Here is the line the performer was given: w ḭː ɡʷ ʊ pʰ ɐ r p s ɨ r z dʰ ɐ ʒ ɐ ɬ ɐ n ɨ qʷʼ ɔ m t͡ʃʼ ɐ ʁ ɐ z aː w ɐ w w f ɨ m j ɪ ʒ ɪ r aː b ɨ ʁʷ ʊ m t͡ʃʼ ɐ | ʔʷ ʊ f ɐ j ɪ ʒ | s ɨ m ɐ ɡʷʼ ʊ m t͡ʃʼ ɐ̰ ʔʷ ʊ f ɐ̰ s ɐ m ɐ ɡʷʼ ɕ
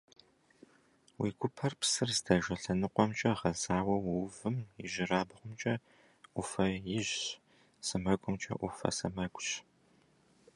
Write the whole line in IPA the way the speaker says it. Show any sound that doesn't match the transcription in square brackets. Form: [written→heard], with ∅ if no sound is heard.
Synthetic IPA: w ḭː ɡʷ ʊ pʰ ɐ r p s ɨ r z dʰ ɐ ʒ ɐ ɬ ɐ n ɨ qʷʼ ɔ m t͡ʃʼ ɐ ʁ ɐ z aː w ɐ w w [f→v] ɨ m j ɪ ʒ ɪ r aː b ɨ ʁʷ ʊ m t͡ʃʼ ɐ | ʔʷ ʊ f ɐ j ɪ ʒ | s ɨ m ɐ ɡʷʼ ʊ m t͡ʃʼ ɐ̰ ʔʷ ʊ f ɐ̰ s ɐ m ɐ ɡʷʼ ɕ